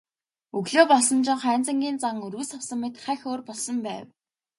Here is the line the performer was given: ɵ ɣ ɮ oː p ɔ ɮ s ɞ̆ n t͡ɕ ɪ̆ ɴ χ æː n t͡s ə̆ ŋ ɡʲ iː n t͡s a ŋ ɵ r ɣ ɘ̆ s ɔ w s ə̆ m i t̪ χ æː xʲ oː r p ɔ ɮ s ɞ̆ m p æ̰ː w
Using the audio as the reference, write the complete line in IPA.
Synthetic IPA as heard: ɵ ɣ ɮ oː p ɔ ɮ s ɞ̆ n t͡ɕ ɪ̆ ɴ χ æː n t͡s ə̆ ŋ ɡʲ iː n t͡s a ŋ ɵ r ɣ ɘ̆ s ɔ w s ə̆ m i t̪ χ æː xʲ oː r p ɔ ɮ s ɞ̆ m p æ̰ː w